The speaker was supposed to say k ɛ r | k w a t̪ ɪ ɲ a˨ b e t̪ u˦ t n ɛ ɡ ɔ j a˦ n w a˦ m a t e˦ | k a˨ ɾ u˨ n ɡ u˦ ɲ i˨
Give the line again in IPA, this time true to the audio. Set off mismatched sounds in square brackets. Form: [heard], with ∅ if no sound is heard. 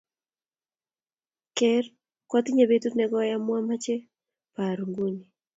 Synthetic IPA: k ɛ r | k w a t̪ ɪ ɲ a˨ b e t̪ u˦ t n ɛ ɡ ɔ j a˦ [m] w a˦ m a [t͡ʃ] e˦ | [p] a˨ ɾ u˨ [ŋ] ɡ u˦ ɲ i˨